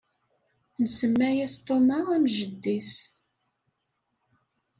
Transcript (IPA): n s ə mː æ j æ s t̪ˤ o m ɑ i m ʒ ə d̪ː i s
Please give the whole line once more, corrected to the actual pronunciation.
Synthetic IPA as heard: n s ə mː æ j æ s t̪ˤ o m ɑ æ m ʒ ə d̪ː i s